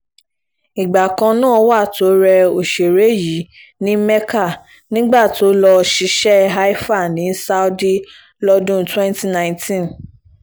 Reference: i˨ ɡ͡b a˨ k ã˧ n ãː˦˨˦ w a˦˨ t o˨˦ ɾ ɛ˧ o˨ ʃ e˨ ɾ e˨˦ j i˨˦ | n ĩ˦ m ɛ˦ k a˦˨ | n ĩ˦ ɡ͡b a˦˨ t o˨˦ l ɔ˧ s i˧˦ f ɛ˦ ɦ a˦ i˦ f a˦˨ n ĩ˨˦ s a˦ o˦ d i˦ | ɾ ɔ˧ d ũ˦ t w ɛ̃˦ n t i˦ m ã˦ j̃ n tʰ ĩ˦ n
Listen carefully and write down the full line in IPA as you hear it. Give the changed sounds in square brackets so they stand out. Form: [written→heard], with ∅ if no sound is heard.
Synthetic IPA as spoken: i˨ ɡ͡b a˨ k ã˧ n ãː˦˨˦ w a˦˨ t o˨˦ ɾ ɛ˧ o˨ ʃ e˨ ɾ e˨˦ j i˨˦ | n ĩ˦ m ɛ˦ k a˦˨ | n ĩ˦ ɡ͡b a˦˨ t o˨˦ l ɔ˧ [s→ʃ] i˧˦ [f→ʃ] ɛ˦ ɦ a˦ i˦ f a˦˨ n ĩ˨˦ s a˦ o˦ d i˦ | [ɾ→l] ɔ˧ d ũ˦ t w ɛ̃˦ n t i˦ [m→n] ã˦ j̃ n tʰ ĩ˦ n

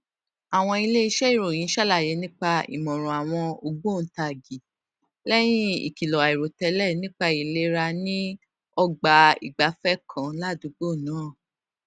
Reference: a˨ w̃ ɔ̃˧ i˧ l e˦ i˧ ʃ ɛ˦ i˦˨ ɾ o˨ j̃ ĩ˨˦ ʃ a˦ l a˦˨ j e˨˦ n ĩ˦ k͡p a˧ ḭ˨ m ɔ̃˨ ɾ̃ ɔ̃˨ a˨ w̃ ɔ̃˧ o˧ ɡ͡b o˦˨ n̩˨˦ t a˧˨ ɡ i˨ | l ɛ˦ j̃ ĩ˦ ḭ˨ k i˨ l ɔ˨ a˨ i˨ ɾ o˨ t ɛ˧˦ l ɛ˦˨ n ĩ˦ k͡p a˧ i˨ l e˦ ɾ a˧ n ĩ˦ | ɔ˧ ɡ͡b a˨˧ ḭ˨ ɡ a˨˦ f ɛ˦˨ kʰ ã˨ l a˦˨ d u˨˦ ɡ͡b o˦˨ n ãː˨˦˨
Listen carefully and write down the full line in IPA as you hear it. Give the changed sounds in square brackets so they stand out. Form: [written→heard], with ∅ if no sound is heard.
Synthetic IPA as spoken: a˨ w̃ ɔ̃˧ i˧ l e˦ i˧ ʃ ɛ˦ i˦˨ ɾ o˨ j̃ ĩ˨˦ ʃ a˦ l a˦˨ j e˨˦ n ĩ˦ k͡p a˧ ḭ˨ m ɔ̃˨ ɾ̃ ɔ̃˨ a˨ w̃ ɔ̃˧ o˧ ɡ͡b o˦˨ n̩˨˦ t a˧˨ ɡ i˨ | l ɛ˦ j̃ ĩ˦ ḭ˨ k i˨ l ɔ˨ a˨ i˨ ɾ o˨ t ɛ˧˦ l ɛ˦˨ n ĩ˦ k͡p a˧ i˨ l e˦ ɾ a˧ n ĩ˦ | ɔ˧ ɡ͡b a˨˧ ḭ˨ [ɡ→ɡ͡b] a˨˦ f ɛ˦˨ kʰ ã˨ l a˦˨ d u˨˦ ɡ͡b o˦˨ n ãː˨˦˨

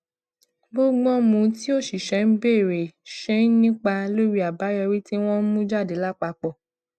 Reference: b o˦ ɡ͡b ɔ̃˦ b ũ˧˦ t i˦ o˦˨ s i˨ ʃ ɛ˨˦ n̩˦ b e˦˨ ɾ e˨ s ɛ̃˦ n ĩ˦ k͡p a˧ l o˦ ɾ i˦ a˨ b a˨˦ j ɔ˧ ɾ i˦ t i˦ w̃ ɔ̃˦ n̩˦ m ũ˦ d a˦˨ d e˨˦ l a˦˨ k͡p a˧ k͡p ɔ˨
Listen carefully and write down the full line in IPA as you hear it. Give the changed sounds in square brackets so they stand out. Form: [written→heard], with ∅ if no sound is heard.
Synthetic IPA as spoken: b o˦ ɡ͡b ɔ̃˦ [b→m] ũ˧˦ t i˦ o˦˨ [s→ʃ] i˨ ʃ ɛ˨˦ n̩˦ b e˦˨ ɾ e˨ [s→ʃ] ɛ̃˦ n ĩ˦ k͡p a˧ l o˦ ɾ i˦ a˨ b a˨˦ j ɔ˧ ɾ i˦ t i˦ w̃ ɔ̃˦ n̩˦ m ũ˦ [d→d͡ʒ] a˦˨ d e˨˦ l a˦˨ k͡p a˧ k͡p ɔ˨

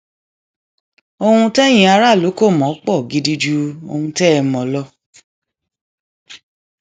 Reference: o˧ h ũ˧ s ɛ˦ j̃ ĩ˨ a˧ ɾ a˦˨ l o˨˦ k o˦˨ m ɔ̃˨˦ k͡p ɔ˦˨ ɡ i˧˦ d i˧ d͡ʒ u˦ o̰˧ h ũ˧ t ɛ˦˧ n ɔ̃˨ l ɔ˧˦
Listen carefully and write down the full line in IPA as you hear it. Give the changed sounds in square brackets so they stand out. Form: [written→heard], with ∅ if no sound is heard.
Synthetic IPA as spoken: o˧ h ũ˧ [s→t] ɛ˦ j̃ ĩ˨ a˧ ɾ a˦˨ l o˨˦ k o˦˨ m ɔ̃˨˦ k͡p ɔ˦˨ ɡ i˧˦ d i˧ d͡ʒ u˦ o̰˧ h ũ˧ t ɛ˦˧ [n→m] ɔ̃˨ l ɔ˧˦

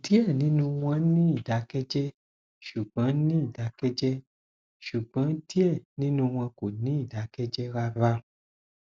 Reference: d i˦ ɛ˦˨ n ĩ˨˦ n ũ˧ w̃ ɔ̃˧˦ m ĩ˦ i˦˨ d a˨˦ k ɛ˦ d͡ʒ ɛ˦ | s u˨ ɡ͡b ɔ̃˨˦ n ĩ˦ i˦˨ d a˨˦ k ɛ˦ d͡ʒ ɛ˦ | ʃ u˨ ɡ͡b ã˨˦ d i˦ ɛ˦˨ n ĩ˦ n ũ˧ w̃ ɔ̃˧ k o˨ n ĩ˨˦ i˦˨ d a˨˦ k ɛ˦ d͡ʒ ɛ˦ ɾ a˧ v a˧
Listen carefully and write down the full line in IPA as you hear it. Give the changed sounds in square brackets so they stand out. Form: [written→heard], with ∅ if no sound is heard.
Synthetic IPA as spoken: d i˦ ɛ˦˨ n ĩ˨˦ n ũ˧ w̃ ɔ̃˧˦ [m→n] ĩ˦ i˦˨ d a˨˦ k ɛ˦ d͡ʒ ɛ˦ | [s→ʃ] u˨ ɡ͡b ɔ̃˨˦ n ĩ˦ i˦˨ d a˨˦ k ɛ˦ d͡ʒ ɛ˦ | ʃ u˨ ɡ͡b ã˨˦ d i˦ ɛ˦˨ n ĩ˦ n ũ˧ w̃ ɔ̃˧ k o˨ n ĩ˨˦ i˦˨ d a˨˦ k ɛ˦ d͡ʒ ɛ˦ ɾ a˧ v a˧

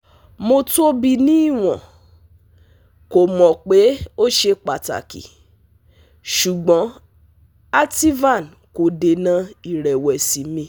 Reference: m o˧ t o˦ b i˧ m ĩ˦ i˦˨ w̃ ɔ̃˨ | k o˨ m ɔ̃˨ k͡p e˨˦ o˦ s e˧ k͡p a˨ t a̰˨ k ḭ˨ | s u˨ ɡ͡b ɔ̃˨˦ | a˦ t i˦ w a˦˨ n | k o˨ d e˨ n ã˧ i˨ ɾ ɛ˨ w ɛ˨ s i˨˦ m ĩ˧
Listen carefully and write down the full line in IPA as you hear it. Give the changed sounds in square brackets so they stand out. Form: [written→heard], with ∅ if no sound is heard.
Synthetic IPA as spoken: m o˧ t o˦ b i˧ [m→n] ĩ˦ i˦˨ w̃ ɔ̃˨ | k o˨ m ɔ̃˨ k͡p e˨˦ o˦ [s→ʃ] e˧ k͡p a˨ t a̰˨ k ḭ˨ | [s→ʃ] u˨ ɡ͡b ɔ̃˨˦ | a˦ t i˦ [w→v] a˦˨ n | k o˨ d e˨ n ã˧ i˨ ɾ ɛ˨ w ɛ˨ s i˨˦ m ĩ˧

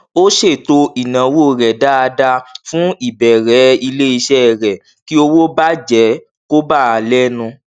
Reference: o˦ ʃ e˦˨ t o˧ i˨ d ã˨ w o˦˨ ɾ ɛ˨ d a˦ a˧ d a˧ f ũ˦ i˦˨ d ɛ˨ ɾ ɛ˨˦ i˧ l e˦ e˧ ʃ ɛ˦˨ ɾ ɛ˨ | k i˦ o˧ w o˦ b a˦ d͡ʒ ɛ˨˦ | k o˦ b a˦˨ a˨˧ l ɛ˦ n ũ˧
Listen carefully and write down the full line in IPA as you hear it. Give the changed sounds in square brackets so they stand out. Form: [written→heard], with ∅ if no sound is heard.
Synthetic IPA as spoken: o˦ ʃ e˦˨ t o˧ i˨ [d→n] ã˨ w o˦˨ ɾ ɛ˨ d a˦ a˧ d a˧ f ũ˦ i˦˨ [d→b] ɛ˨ ɾ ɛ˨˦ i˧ l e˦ [e˧→i˧] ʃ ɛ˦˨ ɾ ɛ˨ | k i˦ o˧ w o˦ b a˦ d͡ʒ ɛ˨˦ | k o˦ b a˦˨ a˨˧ l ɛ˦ n ũ˧

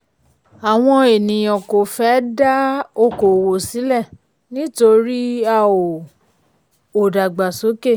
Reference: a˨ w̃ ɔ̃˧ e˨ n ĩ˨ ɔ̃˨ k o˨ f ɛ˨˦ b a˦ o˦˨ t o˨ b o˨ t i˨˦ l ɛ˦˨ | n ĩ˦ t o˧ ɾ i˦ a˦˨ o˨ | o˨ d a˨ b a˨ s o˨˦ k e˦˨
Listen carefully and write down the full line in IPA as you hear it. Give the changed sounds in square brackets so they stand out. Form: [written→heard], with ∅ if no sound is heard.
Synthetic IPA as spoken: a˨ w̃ ɔ̃˧ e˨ n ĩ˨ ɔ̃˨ k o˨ f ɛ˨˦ [b→d] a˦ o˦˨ [t→k] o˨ [b→w] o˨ [t→s] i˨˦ l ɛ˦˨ | n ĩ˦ t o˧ ɾ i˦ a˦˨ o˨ | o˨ d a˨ [b→ɡ͡b] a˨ s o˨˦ k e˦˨

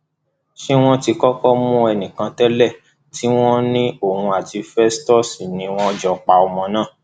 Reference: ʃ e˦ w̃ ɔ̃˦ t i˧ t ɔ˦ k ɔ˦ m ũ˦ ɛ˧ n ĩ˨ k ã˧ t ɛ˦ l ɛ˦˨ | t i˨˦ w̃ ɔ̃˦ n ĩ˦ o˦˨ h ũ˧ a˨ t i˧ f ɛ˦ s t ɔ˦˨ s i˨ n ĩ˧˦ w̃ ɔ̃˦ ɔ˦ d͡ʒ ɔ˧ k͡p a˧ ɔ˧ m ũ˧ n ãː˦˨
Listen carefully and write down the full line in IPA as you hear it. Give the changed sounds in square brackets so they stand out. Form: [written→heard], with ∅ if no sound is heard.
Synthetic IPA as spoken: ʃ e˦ w̃ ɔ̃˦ t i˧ [t→k] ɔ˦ k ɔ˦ m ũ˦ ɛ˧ n ĩ˨ k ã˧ t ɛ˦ l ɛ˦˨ | t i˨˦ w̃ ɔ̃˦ n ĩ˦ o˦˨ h ũ˧ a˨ t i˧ f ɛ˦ s t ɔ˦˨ s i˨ n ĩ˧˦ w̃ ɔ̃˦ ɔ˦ d͡ʒ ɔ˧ k͡p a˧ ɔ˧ m [ũ˧→ɔ̃˧] n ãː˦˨

